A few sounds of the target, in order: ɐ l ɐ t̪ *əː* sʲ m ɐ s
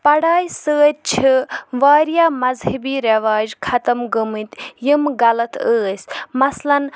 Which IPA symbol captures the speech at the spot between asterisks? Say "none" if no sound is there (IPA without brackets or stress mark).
əː